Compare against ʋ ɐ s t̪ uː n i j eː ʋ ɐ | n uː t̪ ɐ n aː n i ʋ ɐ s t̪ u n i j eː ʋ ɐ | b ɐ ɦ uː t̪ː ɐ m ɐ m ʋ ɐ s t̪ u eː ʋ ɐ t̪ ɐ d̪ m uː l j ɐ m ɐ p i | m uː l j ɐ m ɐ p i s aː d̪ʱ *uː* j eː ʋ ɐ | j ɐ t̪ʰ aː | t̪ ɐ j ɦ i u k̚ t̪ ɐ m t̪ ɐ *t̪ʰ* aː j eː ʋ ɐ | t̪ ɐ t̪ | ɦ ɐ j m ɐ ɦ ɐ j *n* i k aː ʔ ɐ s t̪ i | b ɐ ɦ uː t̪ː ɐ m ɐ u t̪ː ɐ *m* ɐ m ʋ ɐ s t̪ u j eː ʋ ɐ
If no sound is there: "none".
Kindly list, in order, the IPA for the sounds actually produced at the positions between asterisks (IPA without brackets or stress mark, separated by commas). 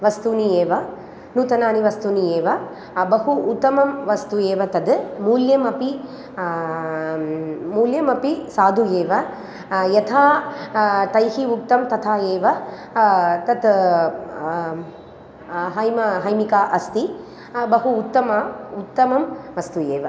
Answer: u, t̪ʰ, m, m